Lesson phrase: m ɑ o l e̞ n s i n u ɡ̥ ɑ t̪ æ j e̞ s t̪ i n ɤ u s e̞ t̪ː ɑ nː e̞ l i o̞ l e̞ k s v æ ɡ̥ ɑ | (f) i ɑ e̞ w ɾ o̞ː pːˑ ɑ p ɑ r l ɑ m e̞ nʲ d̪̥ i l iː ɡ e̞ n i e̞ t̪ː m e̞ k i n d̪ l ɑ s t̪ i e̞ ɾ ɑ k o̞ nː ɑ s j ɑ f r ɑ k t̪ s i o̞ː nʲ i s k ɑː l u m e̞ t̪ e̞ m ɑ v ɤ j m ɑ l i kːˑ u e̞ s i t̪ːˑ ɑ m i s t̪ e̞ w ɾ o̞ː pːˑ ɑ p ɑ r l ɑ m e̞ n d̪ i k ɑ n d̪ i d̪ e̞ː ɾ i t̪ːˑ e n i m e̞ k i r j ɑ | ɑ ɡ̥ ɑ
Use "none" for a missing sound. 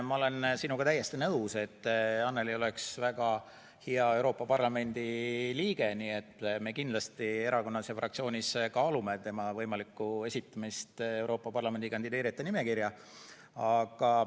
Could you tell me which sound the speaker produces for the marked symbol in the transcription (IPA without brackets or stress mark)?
h